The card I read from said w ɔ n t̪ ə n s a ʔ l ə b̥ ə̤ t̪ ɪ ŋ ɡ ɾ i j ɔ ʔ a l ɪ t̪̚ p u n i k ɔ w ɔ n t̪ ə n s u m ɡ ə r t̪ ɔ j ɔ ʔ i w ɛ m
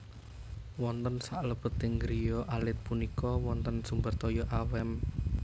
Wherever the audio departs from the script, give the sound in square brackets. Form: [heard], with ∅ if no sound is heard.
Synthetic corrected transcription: w ɔ n t̪ ə n s a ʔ l ə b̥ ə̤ t̪ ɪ ŋ ɡ ɾ i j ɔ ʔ a l ɪ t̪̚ p u n i k ɔ w ɔ n t̪ ə n s u m [b] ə r t̪ ɔ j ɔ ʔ [a] w ɛ m

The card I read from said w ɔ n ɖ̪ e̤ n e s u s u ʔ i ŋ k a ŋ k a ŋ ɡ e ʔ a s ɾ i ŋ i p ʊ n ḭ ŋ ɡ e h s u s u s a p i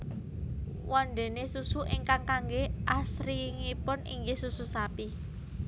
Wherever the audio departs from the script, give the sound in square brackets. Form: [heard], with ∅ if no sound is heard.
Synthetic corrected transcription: w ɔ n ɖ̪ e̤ n e s u s u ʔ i ŋ k a ŋ k a ŋ ɡ e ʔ a s ɾ i ŋ i p ʊ n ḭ ŋ ɡ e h s u s u s a p i

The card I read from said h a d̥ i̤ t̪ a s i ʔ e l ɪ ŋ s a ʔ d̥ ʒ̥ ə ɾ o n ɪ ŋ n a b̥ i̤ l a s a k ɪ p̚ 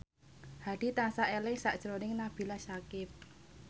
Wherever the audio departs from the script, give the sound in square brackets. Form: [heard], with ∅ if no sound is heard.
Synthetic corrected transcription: h a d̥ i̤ t̪ a s [a] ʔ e l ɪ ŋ s a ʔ d̥ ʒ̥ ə ɾ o n ɪ ŋ n a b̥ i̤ l a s a k ɪ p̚

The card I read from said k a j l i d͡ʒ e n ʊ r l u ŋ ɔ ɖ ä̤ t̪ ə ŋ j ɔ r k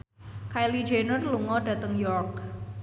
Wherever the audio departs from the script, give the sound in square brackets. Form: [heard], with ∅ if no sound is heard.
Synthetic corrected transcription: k a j l i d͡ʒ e n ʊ r l u ŋ ɔ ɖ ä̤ t̪ ə ŋ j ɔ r k

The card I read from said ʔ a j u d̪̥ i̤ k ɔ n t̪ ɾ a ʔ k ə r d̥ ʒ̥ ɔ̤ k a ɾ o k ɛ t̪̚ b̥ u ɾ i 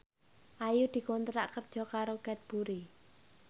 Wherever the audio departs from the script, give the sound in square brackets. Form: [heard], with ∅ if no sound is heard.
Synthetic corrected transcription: ʔ a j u d̪̥ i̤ k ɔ n t̪ ɾ a ʔ k ə r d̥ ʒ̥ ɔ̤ k a ɾ o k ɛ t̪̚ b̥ u ɾ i

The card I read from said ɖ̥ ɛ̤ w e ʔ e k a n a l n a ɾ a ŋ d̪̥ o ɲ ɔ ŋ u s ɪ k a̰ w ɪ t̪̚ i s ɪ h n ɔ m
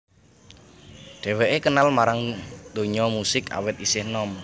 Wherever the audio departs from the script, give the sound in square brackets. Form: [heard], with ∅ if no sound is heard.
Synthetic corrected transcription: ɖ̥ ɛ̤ w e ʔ e k [ə] n a l [m] a ɾ a ŋ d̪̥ o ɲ ɔ [m] u s ɪ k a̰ w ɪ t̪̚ i s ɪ h n ɔ m

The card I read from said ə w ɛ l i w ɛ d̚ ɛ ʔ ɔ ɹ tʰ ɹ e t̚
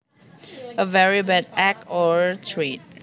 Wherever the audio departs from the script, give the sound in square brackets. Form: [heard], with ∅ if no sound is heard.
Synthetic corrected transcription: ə [v] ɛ [ɹ] i [b] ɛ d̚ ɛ [k] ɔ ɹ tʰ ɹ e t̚

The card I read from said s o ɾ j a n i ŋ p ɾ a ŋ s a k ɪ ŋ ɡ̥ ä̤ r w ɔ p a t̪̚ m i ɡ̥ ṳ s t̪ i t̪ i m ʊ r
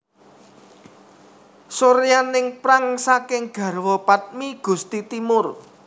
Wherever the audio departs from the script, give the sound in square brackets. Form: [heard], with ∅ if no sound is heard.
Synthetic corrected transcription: s o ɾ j a n [ɪ] ŋ p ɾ a ŋ s a k ɪ ŋ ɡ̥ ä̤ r w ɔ p a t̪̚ m i ɡ̥ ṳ s t̪ i t̪ i m ʊ r

